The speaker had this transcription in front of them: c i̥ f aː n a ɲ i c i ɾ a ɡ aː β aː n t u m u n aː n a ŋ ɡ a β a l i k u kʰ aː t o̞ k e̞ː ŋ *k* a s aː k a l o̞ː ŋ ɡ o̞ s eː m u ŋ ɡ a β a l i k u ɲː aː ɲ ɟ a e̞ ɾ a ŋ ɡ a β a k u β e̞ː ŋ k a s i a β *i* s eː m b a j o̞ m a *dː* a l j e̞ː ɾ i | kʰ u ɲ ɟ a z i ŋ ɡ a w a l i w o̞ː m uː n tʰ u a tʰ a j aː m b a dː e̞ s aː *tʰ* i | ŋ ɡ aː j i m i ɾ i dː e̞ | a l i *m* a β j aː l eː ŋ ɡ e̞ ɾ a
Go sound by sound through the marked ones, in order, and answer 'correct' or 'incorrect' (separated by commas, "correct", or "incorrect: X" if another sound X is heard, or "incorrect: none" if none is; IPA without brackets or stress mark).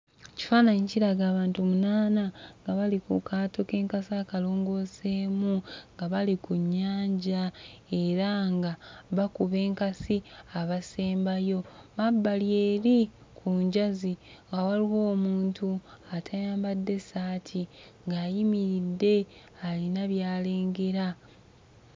correct, incorrect: a, incorrect: bː, correct, incorrect: n